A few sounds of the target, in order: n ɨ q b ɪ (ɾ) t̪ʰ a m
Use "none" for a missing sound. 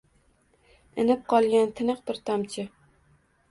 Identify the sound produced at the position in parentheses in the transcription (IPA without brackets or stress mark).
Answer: ɾ